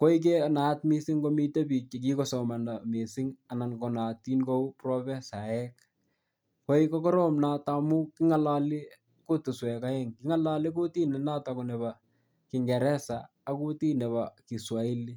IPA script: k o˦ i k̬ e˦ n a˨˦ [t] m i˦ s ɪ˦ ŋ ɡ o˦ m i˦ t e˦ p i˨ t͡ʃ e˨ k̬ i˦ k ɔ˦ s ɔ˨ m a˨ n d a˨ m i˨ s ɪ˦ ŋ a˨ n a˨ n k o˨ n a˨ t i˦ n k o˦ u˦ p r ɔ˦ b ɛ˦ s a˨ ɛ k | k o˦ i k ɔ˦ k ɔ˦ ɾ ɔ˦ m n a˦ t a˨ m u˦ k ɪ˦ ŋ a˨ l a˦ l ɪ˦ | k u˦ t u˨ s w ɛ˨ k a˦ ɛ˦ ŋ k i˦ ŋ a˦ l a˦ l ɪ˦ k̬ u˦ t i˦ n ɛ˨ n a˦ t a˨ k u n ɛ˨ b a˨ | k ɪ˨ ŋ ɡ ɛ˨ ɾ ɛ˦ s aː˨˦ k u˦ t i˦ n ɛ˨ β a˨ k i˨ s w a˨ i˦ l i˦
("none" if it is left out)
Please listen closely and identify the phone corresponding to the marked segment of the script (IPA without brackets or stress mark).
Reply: t